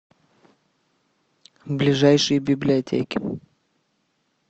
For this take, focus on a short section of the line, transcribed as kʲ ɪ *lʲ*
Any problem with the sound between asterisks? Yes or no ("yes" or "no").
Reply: yes